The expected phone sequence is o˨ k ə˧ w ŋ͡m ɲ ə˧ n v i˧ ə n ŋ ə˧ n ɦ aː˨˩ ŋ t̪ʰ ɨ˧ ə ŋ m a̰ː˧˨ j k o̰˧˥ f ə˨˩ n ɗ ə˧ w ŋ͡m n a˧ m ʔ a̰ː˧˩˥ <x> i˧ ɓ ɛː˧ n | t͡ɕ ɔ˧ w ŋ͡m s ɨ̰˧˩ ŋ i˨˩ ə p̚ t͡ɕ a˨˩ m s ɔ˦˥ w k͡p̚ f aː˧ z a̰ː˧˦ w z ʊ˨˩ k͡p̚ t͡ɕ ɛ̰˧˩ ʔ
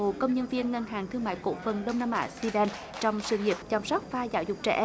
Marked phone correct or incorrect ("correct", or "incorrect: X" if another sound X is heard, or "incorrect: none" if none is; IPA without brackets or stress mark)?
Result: incorrect: s